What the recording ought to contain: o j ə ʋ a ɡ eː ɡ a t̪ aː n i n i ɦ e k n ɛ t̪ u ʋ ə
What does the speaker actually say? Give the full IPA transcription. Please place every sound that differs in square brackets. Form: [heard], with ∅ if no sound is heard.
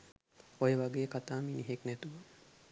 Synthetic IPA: o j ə ʋ a ɡ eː [k] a t̪ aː [m] i n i ɦ e k n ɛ t̪ u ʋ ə